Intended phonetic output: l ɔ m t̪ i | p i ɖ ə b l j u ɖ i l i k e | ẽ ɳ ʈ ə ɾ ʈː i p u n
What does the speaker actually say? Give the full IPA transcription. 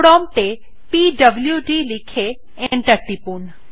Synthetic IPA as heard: ɽ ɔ m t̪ e | p i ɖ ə b l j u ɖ i l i kʰ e | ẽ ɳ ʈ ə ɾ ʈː i p u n